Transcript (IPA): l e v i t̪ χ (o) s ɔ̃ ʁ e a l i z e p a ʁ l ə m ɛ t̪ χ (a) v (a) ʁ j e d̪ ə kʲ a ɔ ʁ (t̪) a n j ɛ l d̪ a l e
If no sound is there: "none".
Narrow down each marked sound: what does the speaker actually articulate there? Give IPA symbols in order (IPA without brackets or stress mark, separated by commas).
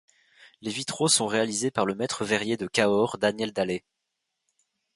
o, ə, ɛ, d̪